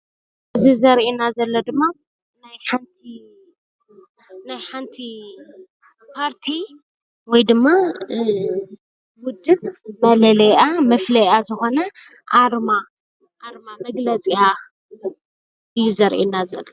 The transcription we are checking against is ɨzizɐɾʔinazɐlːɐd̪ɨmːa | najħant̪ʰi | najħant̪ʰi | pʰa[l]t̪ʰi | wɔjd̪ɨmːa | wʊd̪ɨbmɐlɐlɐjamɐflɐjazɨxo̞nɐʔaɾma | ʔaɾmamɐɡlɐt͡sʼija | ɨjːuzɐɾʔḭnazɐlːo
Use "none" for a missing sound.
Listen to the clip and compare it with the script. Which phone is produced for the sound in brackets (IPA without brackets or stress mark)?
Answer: ɾ